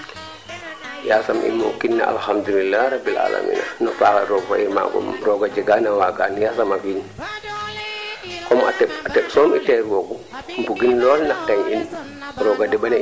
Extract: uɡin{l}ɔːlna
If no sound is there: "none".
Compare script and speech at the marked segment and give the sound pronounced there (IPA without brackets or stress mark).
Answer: l